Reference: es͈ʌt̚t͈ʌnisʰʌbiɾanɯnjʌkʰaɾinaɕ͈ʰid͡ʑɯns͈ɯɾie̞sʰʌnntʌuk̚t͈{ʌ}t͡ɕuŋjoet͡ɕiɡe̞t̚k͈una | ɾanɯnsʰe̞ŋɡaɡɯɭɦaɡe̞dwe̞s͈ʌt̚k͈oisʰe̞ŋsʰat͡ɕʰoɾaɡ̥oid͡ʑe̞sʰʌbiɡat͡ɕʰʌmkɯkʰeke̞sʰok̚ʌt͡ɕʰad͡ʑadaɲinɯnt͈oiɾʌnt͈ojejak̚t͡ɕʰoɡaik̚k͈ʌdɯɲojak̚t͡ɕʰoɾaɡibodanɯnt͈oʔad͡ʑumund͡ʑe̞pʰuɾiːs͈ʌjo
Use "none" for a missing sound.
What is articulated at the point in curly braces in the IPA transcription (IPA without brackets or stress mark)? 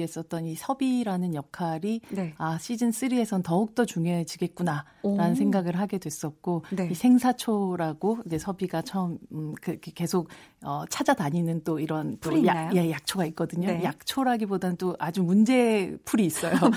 ʌ